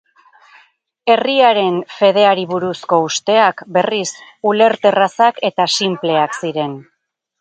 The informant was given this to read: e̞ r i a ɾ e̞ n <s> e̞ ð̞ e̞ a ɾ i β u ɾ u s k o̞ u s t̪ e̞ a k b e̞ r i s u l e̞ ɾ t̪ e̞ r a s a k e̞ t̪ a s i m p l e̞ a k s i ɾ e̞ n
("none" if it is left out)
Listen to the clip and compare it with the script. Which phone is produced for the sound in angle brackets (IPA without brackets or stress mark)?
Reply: f